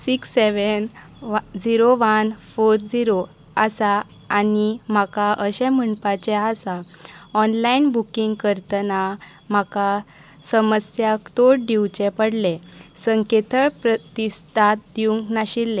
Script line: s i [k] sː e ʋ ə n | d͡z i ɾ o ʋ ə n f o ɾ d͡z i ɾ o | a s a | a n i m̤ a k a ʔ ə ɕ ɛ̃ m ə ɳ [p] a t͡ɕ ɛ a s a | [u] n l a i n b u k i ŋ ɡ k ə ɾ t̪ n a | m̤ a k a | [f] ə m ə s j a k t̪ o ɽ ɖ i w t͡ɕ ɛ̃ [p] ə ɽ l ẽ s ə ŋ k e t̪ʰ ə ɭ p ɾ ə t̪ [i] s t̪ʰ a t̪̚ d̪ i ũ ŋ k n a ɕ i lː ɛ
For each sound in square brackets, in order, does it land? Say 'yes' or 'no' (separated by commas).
yes, yes, no, no, yes, yes